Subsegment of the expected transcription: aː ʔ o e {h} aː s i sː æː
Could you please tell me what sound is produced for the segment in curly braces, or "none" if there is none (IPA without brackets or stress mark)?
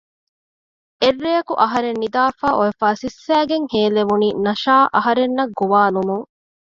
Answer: f